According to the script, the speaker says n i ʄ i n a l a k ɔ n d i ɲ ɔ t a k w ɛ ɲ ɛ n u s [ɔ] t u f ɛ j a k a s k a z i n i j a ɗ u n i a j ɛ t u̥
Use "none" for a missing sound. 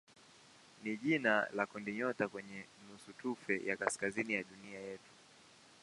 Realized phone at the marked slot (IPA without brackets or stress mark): u